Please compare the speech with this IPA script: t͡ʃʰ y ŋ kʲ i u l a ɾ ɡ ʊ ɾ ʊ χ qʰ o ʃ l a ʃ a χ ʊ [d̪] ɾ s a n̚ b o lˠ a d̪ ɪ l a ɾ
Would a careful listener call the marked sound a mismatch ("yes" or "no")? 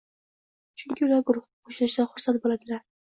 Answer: yes